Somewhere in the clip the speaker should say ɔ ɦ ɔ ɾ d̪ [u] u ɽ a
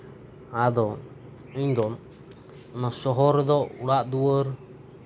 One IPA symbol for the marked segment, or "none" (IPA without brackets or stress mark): ɔ